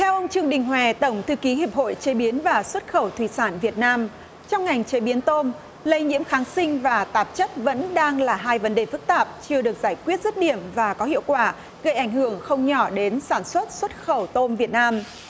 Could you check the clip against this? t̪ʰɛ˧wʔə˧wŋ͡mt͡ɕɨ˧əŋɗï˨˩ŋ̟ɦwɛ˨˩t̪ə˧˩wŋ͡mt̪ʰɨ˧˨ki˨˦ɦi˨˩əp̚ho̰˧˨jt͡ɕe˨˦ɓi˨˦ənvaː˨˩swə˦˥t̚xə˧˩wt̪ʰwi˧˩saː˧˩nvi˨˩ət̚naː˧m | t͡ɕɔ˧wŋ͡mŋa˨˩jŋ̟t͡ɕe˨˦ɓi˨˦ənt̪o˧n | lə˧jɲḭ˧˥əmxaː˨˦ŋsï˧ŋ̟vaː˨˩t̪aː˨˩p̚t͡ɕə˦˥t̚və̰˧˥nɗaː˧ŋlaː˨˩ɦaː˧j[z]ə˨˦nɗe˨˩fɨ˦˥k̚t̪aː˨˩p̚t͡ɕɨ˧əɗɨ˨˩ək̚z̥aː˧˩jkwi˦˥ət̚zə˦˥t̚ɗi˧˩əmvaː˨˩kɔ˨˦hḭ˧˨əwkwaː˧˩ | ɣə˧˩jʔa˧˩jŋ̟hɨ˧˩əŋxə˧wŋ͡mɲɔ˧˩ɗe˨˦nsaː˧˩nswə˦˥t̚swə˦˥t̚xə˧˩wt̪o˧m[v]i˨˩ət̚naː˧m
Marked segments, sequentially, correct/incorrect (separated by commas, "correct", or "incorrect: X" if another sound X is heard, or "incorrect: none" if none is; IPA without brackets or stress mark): incorrect: v, correct